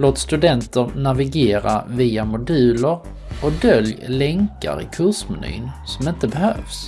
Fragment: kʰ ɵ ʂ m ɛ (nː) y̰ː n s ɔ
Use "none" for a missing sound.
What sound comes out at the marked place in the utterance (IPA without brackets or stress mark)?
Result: n